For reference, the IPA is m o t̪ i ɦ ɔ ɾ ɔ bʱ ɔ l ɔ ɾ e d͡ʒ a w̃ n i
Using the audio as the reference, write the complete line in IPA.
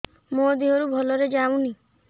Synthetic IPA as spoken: m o d̪ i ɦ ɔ ɾ u bʱ ɔ l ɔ ɾ e d͡ʒ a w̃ n i